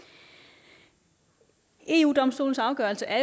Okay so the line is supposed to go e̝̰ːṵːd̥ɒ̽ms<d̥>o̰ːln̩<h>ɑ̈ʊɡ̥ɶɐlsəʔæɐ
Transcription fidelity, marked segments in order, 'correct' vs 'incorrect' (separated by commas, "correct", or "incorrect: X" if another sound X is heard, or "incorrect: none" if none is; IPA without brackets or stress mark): correct, incorrect: s